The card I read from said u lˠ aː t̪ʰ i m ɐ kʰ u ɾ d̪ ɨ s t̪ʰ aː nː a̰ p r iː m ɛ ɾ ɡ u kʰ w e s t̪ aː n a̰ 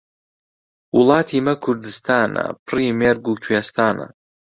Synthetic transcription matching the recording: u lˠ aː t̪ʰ i m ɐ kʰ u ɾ d̪ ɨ s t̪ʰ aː n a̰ p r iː m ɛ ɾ ɡ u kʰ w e s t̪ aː n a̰